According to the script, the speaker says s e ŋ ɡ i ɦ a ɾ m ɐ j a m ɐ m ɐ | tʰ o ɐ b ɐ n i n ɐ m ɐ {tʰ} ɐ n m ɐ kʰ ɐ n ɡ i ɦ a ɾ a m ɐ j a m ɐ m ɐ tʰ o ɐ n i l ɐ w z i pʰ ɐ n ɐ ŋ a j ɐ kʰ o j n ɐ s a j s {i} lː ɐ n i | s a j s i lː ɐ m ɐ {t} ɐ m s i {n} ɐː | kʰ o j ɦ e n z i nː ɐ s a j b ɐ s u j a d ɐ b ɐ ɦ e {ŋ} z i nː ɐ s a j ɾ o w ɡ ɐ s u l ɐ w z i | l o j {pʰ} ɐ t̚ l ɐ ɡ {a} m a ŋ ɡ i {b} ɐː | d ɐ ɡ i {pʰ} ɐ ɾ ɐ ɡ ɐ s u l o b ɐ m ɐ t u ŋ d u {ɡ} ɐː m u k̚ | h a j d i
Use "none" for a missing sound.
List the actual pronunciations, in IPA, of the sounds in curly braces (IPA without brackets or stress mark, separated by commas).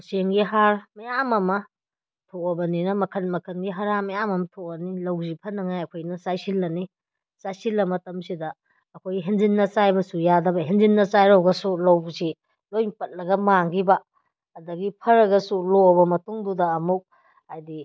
kʰ, i, t, d, n, p, ɐ, b, pʰ, d